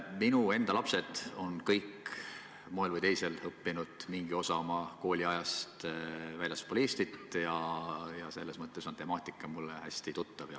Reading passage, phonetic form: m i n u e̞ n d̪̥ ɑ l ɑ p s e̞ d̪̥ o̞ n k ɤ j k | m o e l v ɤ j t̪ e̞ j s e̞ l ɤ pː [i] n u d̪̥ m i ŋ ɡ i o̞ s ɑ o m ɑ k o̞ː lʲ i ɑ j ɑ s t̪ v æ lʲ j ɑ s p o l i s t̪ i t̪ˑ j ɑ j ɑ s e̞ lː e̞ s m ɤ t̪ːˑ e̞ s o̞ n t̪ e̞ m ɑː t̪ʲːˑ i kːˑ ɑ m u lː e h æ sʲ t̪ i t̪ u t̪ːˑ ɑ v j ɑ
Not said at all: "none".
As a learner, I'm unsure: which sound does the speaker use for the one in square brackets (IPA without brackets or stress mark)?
i